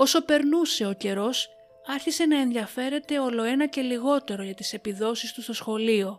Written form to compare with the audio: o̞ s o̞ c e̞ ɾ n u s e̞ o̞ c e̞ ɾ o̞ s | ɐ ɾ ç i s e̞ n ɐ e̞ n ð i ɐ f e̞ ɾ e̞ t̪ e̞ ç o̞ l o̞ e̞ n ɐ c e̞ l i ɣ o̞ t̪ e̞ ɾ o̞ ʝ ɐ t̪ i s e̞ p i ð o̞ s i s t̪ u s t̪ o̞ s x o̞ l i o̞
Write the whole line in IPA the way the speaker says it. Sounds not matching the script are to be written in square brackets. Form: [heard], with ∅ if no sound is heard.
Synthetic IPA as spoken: o̞ s o̞ [p] e̞ ɾ n u s e̞ o̞ c e̞ ɾ o̞ s | ɐ ɾ ç i s e̞ n ɐ e̞ n ð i ɐ f e̞ ɾ e̞ t̪ e̞ [∅] o̞ l o̞ e̞ n ɐ c e̞ l i ɣ o̞ t̪ e̞ ɾ o̞ ʝ ɐ t̪ i s e̞ p i ð o̞ s i s t̪ u s t̪ o̞ s x o̞ l i o̞